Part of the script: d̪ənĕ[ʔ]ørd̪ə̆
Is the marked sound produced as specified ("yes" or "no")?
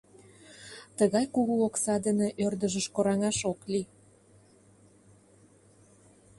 yes